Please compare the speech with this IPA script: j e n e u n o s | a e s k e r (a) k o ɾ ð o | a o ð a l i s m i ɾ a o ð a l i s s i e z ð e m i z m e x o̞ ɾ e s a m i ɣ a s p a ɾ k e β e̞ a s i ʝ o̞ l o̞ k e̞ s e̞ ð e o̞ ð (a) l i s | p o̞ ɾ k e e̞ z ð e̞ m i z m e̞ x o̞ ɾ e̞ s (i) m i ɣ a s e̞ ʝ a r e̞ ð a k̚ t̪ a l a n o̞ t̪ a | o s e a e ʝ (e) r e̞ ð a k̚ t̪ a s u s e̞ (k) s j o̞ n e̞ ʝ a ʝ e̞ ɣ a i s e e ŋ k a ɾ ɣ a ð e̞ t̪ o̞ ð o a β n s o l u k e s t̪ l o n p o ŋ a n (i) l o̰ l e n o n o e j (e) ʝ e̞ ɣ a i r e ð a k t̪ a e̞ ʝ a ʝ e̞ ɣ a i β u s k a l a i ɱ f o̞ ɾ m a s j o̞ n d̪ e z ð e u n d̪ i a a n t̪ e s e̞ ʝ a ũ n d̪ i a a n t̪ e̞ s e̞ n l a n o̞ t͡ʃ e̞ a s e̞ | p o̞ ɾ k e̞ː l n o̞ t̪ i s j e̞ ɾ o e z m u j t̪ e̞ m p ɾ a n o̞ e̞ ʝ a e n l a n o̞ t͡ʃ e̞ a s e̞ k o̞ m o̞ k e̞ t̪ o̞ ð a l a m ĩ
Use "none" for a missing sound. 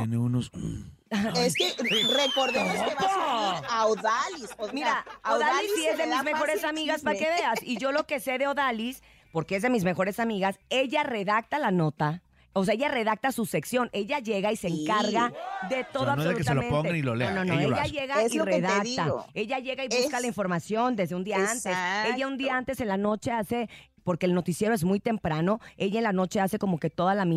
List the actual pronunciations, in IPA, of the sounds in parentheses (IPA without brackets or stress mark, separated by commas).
e, a, a, a, k, i, a